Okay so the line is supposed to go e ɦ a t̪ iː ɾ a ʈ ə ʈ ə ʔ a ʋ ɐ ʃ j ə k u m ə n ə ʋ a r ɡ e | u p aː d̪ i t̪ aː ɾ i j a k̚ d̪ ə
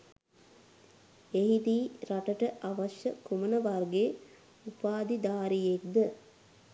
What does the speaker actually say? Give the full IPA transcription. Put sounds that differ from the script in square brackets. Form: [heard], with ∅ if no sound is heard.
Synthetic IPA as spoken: e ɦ [i] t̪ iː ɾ a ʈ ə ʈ ə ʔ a ʋ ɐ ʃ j ə k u m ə n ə ʋ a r ɡ e | u p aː d̪ i [d̪] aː ɾ i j [e] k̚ d̪ ə